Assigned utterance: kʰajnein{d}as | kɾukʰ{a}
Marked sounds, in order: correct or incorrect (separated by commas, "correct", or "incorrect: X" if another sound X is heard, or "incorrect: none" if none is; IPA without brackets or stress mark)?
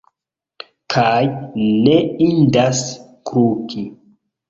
correct, incorrect: i